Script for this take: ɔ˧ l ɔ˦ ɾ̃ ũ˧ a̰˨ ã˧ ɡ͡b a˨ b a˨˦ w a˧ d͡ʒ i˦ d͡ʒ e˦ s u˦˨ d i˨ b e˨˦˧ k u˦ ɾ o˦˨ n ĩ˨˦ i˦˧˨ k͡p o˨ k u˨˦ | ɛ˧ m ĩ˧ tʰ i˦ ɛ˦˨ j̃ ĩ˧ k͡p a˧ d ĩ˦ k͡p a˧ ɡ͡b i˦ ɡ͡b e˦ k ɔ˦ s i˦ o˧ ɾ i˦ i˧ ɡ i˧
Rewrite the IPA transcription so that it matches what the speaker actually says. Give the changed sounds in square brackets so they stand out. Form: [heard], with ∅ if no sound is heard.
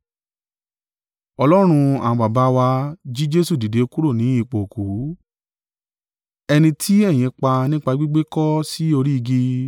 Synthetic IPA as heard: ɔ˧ l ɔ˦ ɾ̃ ũ˧ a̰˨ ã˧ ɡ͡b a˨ b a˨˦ w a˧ d͡ʒ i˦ d͡ʒ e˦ s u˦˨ d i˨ [d] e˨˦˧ k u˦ ɾ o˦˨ n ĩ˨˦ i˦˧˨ k͡p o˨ k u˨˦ | ɛ˧ [n] ĩ˧ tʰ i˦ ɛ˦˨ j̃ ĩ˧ k͡p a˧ [n] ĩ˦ k͡p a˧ ɡ͡b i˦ ɡ͡b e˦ k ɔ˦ s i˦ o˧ ɾ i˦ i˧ ɡ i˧